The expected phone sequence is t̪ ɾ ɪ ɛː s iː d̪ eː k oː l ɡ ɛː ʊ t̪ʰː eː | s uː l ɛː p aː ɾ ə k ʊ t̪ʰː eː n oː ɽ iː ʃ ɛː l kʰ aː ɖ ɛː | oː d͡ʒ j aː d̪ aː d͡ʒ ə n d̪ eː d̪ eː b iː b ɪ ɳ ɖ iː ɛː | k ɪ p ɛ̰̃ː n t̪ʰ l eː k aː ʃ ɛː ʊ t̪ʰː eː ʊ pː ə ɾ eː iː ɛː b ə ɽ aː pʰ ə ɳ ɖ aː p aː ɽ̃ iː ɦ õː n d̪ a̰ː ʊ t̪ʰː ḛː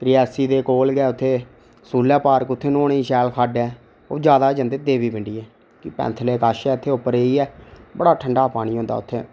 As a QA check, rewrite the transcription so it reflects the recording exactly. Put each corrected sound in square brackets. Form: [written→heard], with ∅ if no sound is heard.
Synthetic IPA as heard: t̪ ɾ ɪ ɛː s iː d̪ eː k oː l ɡ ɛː ʊ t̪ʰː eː | s uː l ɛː p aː ɾ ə k ʊ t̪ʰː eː n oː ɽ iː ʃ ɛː l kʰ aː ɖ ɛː | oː d͡ʒ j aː d̪ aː d͡ʒ ə n d̪ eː d̪ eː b iː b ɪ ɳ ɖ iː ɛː | k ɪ p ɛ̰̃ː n t̪ʰ l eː k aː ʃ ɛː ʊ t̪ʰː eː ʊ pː ə ɾ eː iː ɛː b ə ɽ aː [pʰ→ʈʰ] ə ɳ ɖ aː p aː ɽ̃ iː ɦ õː n d̪ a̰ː ʊ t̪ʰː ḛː